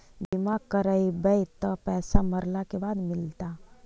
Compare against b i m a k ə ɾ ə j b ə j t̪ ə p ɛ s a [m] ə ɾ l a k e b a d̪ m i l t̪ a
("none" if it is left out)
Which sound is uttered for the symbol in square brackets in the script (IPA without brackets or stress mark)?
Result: m